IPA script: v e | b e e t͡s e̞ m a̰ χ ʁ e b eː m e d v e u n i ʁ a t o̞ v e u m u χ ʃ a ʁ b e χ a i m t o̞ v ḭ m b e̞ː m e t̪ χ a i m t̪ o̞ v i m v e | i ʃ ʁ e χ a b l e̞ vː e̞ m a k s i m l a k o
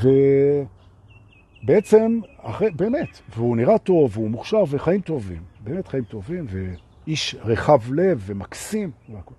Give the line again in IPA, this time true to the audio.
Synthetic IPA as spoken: v e | b e e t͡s e̞ m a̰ χ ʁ e b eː m e t v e u n i ʁ a t o̞ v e u m u χ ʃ a ʁ v e χ a i m t o̞ v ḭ m b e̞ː m e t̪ χ a i m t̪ o̞ v i m v e | i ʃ ʁ e χ a v l e̞ vː e̞ m a k s i m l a k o